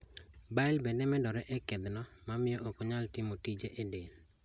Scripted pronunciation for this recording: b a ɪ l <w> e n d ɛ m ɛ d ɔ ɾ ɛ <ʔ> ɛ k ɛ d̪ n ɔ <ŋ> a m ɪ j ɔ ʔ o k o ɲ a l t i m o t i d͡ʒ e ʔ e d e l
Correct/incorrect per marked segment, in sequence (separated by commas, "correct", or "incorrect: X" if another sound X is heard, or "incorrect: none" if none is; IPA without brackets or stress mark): incorrect: b, correct, incorrect: m